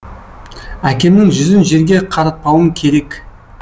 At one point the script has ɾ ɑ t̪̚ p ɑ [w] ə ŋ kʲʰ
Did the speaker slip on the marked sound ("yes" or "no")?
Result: no